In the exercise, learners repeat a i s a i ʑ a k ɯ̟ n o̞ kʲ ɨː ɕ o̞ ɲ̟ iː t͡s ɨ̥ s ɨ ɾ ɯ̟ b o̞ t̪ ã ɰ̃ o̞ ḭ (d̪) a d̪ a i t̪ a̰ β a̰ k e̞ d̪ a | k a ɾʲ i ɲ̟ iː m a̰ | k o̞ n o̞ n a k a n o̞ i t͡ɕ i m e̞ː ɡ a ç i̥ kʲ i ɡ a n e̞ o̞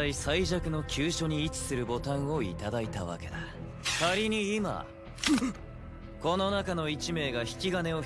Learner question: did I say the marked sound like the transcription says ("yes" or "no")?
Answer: no